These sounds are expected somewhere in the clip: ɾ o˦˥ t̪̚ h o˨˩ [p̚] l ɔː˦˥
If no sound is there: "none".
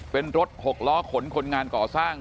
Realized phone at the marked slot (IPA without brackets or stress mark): k̚